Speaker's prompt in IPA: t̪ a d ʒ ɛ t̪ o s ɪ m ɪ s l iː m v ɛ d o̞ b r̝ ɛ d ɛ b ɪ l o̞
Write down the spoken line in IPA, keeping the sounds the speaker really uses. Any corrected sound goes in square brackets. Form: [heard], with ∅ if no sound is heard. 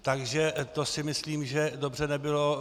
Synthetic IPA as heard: t̪ a [ɡ] ʒ ɛ t̪ o s ɪ m ɪ s l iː m [ʒ] ɛ d o̞ b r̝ ɛ [n] ɛ b ɪ l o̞